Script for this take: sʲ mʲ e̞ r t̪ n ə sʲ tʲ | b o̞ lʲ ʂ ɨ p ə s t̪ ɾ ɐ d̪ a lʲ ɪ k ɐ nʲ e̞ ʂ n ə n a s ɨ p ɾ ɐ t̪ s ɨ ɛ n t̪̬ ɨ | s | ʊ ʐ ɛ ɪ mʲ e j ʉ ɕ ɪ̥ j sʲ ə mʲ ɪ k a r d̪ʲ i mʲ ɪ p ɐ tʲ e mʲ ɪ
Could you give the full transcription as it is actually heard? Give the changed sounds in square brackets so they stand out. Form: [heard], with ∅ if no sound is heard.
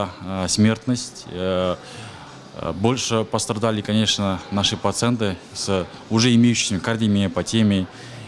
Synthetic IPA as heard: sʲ mʲ e̞ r t̪ n ə sʲ tʲ | b o̞ lʲ ʂ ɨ p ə s t̪ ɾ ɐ d̪ a lʲ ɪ k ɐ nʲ e̞ ʂ n ə n a [ʂ] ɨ p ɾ ɐ t̪ s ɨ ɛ n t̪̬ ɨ | s | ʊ ʐ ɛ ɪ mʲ e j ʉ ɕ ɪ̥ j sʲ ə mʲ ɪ k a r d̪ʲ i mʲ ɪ p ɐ tʲ e mʲ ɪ